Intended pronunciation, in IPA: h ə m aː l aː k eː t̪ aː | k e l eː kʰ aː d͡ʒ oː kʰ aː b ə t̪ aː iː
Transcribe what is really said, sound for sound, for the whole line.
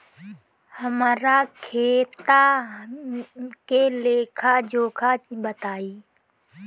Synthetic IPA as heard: h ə m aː ɾ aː kʰ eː t̪ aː | k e l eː kʰ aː d͡ʒ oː kʰ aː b ə t̪ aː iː